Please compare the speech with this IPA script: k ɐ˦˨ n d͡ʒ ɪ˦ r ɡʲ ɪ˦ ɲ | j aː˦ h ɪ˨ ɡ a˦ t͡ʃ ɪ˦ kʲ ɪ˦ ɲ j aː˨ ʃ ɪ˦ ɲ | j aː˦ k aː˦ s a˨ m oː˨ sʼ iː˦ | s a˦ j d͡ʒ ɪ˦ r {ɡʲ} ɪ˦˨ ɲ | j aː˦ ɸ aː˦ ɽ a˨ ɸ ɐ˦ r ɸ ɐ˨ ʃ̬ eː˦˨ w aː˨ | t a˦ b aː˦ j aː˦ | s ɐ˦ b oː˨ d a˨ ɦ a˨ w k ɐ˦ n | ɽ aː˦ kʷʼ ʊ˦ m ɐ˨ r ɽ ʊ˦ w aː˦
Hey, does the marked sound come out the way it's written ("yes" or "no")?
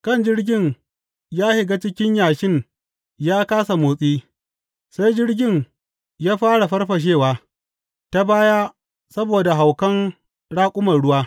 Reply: yes